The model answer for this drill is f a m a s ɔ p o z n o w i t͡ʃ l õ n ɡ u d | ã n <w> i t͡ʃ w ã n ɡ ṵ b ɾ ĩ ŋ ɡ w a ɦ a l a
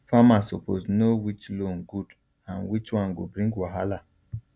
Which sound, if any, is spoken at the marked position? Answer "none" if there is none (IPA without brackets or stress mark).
w